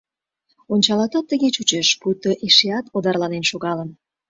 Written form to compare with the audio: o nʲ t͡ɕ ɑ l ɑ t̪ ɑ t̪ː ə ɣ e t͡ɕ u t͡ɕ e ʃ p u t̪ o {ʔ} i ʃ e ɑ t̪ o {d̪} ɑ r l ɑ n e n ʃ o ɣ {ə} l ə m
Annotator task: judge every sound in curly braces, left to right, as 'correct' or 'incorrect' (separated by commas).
correct, correct, incorrect